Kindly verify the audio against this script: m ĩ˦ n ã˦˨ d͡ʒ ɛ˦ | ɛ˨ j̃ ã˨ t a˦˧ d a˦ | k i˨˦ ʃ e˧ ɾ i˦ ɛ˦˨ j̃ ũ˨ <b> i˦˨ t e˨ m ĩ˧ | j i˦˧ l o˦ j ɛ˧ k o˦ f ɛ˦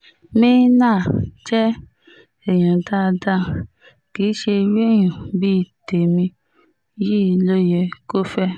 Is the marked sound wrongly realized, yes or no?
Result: no